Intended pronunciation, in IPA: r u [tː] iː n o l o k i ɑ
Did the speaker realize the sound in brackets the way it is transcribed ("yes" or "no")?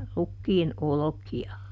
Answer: no